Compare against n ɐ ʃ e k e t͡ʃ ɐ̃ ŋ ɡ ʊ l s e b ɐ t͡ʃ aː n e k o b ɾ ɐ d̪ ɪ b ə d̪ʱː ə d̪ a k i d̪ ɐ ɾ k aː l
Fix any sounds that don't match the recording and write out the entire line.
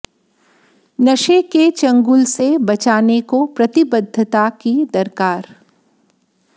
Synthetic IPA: n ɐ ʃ e k e t͡ʃ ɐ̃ ŋ ɡ ʊ l s e b ɐ t͡ʃ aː n e k o p ɾ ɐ t̪ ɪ b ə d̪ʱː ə t̪ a k i d̪ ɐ ɾ k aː ɾ